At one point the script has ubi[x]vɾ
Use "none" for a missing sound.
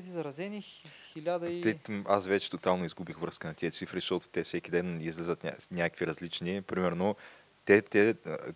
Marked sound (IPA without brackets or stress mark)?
x